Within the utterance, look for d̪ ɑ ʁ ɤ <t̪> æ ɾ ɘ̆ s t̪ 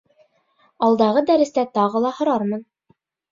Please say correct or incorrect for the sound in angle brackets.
incorrect